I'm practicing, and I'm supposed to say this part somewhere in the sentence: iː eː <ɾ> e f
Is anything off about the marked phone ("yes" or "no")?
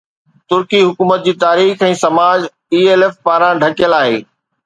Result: yes